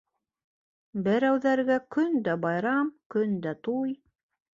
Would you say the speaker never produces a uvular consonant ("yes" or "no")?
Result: yes